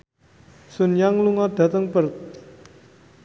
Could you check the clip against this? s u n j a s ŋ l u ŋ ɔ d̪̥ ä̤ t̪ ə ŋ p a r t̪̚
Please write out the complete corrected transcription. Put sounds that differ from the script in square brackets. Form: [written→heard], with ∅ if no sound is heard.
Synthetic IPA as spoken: s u n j a [s→∅] ŋ l u ŋ ɔ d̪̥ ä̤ t̪ ə ŋ p [a→ə] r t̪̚

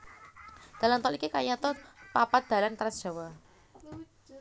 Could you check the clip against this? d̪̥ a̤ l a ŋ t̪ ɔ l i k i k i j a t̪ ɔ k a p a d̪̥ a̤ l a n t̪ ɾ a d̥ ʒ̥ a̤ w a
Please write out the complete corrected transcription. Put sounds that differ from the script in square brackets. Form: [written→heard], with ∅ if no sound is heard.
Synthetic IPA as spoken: d̪̥ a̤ l a [ŋ→n] t̪ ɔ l i k i k [i→a] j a t̪ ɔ [k→p] a p a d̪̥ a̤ l a n t̪ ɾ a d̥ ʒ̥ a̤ w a

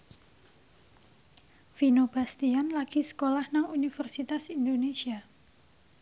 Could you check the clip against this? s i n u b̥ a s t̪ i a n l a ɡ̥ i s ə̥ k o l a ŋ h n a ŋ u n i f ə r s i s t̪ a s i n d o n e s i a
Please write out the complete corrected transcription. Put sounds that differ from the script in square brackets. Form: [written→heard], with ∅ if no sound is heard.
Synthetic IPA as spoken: [s→f] i n [u→o] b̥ a s t̪ i a n l a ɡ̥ i s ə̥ k o l a [ŋ→∅] h n a ŋ u n i f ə r s i [s→∅] t̪ a s i n d o n e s i a

